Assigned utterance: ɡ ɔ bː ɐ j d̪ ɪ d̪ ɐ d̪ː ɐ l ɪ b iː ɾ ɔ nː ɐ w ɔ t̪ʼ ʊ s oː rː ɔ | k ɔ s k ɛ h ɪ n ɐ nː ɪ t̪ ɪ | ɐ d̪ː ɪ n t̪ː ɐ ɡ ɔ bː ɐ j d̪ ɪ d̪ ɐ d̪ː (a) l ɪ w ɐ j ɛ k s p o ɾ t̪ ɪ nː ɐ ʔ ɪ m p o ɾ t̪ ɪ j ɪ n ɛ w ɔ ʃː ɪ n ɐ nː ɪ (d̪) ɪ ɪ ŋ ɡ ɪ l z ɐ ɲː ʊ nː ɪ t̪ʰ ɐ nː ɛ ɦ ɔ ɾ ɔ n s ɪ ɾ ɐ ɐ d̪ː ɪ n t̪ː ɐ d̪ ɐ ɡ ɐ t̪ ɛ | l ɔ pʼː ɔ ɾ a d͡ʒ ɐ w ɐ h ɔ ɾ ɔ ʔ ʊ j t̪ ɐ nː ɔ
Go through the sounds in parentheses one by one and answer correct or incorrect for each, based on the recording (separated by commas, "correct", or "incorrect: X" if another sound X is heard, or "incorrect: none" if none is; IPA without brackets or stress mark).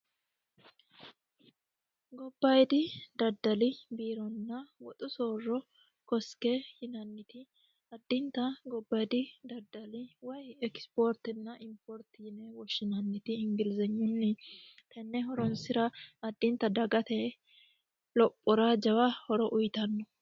incorrect: ɐ, incorrect: t̪